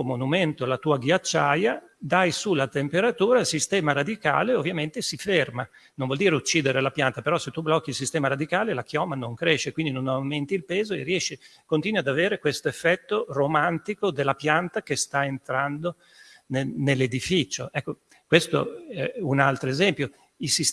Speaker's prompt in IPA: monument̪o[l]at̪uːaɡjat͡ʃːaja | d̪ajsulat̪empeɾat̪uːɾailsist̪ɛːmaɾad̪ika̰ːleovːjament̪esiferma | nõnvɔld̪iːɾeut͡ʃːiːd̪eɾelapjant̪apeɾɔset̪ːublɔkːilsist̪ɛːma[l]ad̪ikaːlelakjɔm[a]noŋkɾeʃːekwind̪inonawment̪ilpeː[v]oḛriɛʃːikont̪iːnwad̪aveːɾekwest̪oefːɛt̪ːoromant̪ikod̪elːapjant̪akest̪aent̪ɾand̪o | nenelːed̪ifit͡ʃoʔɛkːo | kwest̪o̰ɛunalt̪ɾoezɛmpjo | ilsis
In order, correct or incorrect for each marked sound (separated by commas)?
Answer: correct, incorrect, correct, incorrect